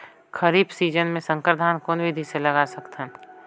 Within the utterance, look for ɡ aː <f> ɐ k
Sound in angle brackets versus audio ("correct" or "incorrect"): incorrect